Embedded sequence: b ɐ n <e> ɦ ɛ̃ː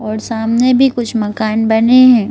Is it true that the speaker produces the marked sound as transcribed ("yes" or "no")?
yes